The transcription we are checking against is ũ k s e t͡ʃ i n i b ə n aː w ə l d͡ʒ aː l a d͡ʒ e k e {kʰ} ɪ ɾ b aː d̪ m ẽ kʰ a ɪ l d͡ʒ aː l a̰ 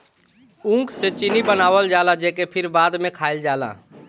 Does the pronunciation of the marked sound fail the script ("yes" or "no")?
yes